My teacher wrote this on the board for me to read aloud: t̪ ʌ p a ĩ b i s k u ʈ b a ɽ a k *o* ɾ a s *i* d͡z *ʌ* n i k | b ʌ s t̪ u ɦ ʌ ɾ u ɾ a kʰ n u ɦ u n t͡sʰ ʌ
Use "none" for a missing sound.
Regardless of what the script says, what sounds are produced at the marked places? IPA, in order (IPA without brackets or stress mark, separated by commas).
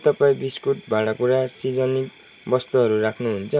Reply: u, i, ʌ